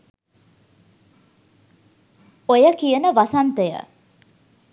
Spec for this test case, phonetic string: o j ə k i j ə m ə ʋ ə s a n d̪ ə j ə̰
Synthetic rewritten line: o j ə k i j ə n ə ʋ a s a n t̪ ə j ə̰